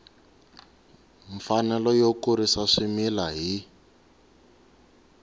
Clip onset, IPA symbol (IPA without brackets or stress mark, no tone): ɱ